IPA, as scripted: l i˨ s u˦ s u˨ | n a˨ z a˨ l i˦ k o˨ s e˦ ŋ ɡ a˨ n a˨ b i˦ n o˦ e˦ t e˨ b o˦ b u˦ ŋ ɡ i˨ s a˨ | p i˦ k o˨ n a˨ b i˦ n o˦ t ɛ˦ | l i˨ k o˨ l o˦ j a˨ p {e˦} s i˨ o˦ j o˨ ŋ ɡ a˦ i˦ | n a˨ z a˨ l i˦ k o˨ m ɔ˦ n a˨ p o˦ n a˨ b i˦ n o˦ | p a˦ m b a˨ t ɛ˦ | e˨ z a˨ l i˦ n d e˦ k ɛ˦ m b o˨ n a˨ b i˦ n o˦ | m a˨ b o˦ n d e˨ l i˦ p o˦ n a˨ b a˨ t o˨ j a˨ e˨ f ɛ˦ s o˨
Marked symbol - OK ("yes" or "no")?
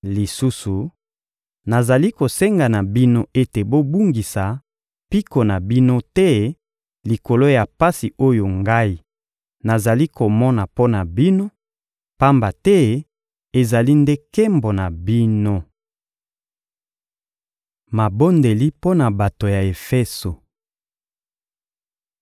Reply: no